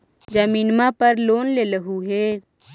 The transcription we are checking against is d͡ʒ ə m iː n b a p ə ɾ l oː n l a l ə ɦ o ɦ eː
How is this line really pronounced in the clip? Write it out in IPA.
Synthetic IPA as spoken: d͡ʒ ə m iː n m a p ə ɾ l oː n l e l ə ɦ u ɦ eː